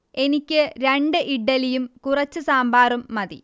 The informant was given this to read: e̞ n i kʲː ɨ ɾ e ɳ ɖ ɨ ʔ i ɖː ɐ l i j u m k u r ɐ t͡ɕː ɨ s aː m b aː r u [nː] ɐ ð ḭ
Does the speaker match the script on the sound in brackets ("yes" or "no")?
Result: no